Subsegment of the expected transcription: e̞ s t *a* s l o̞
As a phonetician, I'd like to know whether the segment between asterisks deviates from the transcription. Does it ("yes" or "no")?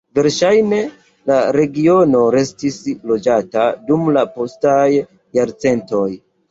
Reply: yes